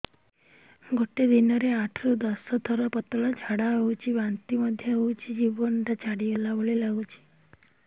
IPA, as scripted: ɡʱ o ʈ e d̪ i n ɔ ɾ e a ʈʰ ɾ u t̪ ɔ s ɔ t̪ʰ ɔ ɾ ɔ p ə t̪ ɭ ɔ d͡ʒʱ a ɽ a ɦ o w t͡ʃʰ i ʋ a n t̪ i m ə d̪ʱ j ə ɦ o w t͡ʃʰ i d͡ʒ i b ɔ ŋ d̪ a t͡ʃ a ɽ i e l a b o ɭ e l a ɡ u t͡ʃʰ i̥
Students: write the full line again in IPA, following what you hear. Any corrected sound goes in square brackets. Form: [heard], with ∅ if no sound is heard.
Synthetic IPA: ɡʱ o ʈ e d̪ i n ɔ ɾ e a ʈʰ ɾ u [d̪] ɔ s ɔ t̪ʰ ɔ ɾ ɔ p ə t̪ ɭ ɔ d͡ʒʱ a ɽ a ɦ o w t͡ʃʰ i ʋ a n t̪ i m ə d̪ʱ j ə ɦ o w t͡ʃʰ i d͡ʒ i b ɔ [n] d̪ a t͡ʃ a ɽ i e l a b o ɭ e l a ɡ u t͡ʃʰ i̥